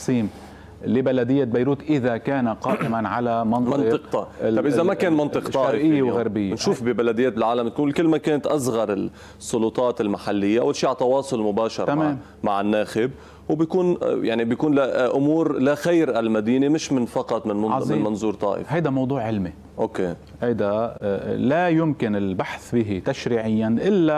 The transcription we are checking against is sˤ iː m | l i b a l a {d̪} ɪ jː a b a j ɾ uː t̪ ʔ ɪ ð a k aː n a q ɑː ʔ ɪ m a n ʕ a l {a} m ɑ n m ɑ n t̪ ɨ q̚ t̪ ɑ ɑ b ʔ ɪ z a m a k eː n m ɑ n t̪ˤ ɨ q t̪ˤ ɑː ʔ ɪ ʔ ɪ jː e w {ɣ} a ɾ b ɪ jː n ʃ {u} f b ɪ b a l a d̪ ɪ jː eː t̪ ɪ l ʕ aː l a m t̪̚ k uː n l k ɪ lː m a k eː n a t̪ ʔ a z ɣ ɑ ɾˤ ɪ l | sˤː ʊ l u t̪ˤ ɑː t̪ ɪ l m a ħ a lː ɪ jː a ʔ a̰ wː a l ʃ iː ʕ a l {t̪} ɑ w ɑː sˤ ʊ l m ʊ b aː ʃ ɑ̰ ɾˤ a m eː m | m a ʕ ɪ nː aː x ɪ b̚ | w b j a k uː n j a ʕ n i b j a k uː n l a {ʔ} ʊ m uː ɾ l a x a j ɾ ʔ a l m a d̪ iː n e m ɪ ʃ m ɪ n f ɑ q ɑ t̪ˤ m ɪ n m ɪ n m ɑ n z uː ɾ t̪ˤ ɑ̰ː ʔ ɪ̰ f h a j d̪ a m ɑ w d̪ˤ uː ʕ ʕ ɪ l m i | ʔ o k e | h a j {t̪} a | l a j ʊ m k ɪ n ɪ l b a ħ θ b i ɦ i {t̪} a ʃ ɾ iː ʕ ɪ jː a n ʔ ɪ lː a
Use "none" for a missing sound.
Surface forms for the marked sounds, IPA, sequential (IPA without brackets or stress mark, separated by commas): d̪, a, ɣ, uː, t̪, ʔ, d̪, t̪